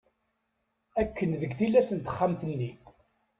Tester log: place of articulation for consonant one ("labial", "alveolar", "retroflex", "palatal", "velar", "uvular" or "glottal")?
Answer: velar